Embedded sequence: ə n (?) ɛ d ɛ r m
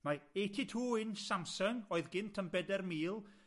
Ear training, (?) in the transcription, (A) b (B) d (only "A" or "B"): A